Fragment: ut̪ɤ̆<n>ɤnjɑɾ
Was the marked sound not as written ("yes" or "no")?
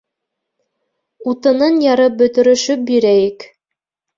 no